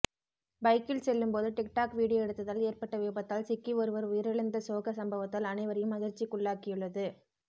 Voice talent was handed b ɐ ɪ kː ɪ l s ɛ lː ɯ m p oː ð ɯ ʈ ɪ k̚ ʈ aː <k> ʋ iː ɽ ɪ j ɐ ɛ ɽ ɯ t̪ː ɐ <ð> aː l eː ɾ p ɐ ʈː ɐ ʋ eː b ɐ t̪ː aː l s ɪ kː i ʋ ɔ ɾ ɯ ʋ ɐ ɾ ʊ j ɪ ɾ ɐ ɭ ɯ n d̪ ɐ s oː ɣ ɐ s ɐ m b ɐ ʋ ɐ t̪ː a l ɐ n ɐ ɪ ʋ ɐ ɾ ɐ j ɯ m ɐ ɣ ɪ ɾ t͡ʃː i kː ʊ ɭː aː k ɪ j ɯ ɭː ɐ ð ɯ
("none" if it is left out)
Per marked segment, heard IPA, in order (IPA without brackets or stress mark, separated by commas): k, ð